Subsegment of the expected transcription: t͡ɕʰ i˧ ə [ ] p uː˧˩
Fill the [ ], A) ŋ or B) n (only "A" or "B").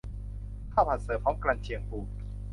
A